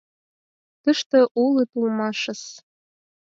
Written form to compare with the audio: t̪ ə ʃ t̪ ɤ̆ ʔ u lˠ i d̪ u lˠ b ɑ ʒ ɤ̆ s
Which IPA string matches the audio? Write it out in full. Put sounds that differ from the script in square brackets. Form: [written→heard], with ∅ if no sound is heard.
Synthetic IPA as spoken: t̪ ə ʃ t̪ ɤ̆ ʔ u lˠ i [d̪→t̪] u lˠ [b→m] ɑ [ʒ→ʃ] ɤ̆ s